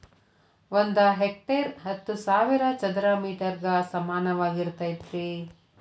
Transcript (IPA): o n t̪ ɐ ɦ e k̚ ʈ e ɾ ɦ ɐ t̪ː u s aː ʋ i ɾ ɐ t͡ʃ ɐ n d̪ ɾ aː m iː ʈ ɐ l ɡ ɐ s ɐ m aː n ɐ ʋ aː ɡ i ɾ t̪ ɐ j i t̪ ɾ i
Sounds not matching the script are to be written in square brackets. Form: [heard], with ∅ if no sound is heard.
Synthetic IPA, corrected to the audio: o n [d̪] ɐ ɦ e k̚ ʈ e ɾ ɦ ɐ t̪ː u s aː ʋ i ɾ ɐ t͡ʃ ɐ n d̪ ɾ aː m iː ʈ ɐ [ɾ] ɡ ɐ s ɐ m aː n ɐ ʋ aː ɡ i ɾ t̪ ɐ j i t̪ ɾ i